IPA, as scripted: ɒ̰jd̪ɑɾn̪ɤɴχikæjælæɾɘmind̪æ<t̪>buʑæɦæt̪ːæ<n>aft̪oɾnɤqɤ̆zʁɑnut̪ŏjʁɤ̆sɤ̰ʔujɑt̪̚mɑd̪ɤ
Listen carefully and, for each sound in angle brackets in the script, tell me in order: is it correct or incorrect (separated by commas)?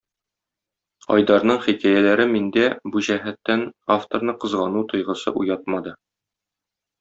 incorrect, correct